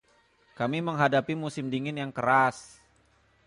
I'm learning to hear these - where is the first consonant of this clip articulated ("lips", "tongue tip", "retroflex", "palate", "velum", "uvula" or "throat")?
velum